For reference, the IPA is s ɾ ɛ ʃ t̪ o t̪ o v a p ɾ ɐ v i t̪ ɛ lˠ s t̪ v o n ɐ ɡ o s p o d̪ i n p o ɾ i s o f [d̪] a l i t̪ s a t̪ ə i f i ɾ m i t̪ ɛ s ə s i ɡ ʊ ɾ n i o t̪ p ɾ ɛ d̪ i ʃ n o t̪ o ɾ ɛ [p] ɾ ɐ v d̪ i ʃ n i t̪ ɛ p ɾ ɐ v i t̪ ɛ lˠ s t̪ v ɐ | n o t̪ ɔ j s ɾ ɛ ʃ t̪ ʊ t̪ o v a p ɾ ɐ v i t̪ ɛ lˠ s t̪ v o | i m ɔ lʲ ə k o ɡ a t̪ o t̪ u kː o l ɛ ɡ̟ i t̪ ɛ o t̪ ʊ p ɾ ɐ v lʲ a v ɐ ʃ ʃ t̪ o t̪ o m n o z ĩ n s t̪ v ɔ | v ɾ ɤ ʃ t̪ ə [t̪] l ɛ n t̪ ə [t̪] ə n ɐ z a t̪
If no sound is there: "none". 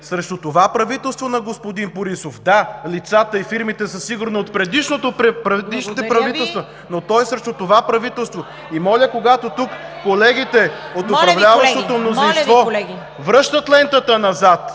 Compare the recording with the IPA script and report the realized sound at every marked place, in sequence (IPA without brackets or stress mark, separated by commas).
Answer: d̪, p, t̪, t̪